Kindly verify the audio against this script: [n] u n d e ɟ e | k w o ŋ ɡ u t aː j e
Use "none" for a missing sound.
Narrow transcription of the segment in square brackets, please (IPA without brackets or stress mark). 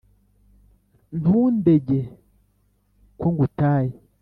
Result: n